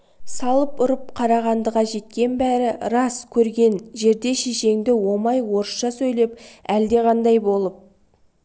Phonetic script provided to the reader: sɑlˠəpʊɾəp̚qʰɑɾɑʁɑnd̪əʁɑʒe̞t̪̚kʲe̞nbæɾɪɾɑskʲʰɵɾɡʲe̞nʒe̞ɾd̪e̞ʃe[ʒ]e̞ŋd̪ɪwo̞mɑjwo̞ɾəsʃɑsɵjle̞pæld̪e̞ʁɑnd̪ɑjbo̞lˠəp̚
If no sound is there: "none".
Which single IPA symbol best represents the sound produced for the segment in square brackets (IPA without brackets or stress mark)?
ʃ